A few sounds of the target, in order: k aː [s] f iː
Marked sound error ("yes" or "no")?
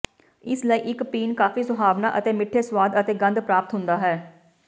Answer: yes